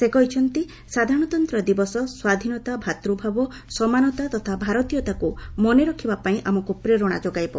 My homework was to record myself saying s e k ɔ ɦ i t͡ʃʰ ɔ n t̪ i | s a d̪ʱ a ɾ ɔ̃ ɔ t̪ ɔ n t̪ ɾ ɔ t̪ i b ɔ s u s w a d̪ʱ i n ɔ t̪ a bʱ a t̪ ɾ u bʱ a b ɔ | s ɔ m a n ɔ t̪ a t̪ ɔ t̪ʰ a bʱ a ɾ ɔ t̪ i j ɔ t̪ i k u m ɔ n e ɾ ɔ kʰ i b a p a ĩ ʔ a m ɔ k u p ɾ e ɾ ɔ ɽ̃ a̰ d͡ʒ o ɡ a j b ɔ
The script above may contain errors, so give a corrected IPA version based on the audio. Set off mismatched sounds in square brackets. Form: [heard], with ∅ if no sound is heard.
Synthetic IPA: s e k ɔ ɦ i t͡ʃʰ ɔ n t̪ i | s a d̪ʱ a ɾ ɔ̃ ɔ t̪ ɔ n t̪ ɾ ɔ [d̪] i b ɔ s [ɔ] s w a d̪ʱ i n ɔ t̪ a bʱ a t̪ ɾ u bʱ a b ɔ | s ɔ m a n ɔ t̪ a t̪ ɔ t̪ʰ a bʱ a ɾ ɔ t̪ i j ɔ t̪ [a] k u m ɔ n e ɾ ɔ kʰ i b a p a ĩ ʔ a m ɔ k u p ɾ e ɾ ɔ ɽ̃ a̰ d͡ʒ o ɡ a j b ɔ

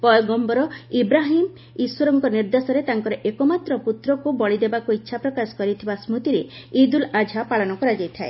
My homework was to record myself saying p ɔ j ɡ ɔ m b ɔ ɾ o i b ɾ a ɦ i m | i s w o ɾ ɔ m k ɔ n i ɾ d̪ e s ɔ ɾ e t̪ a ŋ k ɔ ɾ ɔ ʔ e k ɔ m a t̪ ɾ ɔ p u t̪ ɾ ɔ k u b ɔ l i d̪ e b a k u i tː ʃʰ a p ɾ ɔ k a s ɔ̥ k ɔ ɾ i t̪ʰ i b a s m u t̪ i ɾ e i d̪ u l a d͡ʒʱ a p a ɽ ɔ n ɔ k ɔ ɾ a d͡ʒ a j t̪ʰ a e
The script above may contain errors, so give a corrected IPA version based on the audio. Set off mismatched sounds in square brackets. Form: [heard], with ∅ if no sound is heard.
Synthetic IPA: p ɔ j ɡ ɔ m b ɔ ɾ [ɔ] i b ɾ a ɦ i m | i s w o ɾ ɔ [ŋ] k ɔ n i ɾ d̪ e s ɔ ɾ e t̪ a ŋ k ɔ ɾ ɔ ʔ e k ɔ m a t̪ ɾ ɔ p u t̪ ɾ ɔ k u b ɔ [ɭ] i d̪ e b a k u i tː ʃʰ a p ɾ ɔ k a s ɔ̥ k ɔ ɾ i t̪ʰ i b a s m u t̪ i ɾ e i d̪ u l a d͡ʒʱ a p a [ɭ] ɔ n ɔ k ɔ ɾ a d͡ʒ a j t̪ʰ a e

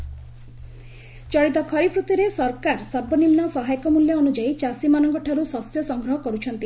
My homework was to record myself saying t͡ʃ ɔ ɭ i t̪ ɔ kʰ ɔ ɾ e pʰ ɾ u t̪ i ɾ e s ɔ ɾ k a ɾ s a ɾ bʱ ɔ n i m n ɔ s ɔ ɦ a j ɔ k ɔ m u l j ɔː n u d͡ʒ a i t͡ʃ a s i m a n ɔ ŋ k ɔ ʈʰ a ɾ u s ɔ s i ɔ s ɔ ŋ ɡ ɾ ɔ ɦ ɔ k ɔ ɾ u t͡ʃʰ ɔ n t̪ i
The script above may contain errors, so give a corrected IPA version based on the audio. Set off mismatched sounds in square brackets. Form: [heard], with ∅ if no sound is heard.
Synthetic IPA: t͡ʃ ɔ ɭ i t̪ ɔ kʰ ɔ ɾ [i] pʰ ɾ u t̪ i ɾ e s ɔ ɾ k a ɾ s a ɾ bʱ ɔ n i m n ɔ s ɔ ɦ a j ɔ k ɔ m u l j ɔː n u d͡ʒ a i t͡ʃ a s i m a n ɔ ŋ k ɔ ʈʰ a ɾ u s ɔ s [j] ɔ s ɔ ŋ ɡ ɾ ɔ ɦ ɔ k ɔ ɾ u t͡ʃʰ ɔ n t̪ i

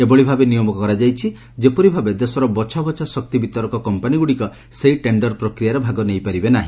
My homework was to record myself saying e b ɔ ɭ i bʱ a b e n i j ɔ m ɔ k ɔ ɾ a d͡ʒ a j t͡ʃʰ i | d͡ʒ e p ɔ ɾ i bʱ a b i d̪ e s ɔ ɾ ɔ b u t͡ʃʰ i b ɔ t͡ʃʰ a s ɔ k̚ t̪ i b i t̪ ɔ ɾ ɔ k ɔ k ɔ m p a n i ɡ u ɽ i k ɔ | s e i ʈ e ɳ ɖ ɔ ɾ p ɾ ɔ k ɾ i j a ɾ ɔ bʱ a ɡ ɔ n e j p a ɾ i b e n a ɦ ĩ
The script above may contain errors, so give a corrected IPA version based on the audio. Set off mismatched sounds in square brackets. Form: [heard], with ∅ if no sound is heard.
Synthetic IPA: e b ɔ ɭ i bʱ a b e n i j ɔ m ɔ k ɔ ɾ a d͡ʒ a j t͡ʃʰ i | d͡ʒ e p ɔ ɾ i bʱ a b [e] d̪ e s ɔ ɾ ɔ b [ɔ] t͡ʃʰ [a] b ɔ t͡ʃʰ a s ɔ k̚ t̪ i b i t̪ ɔ ɾ ɔ k ɔ k ɔ m p a n i ɡ u ɽ i k ɔ | s e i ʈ e ɳ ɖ ɔ ɾ p ɾ ɔ k ɾ i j a ɾ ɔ bʱ a ɡ ɔ n e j p a ɾ i b e n a ɦ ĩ

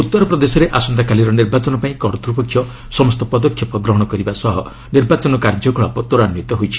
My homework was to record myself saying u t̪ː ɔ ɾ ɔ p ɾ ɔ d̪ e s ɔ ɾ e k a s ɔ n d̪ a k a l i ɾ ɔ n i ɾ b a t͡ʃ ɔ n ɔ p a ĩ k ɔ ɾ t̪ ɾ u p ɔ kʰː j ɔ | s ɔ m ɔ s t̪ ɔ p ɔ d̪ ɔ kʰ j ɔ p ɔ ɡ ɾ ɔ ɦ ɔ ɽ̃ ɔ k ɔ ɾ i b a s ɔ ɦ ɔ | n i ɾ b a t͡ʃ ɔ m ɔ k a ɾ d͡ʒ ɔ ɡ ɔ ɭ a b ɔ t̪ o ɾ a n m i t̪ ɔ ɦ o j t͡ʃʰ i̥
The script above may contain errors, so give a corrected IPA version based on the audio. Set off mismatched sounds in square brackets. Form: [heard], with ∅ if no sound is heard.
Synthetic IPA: u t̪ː ɔ ɾ ɔ p ɾ ɔ d̪ e s ɔ ɾ e [ʔ] a s ɔ n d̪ a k a l i ɾ ɔ n i ɾ b a t͡ʃ ɔ n ɔ p a ĩ k ɔ ɾ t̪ ɾ u p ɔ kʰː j ɔ | s ɔ m ɔ s t̪ ɔ p ɔ d̪ ɔ kʰ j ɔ p ɔ ɡ ɾ ɔ ɦ ɔ ɽ̃ ɔ k ɔ ɾ i b a s ɔ ɦ ɔ | n i ɾ b a t͡ʃ ɔ [n] ɔ k a ɾ d͡ʒ ɔ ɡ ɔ ɭ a [p] ɔ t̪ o ɾ a n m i t̪ ɔ ɦ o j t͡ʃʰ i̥

